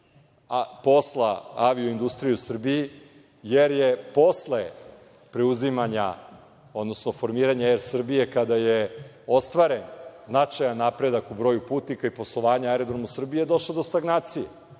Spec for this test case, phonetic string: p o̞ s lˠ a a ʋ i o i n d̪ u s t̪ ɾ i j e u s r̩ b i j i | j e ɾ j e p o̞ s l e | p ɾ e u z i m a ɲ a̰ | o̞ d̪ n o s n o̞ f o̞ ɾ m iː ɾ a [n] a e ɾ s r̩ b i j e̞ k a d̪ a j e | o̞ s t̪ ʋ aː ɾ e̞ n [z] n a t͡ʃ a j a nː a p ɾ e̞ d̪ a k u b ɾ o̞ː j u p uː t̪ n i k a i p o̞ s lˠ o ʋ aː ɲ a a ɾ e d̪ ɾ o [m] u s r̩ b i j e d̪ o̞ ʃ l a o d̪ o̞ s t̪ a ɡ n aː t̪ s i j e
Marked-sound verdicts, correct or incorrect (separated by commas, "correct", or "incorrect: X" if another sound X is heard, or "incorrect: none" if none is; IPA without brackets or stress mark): incorrect: ɲ, correct, correct